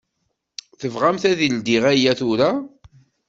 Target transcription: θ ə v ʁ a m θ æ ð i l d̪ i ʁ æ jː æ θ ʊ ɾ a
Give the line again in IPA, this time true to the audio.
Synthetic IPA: θ ə v ʁ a m θ æ ð i l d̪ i ʁ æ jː æ θ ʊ ɾ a